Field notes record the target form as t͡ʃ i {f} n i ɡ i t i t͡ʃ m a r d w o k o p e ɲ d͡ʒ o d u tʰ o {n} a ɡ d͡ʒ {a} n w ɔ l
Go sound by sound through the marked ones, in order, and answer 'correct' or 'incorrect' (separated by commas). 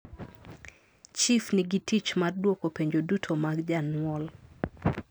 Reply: correct, incorrect, correct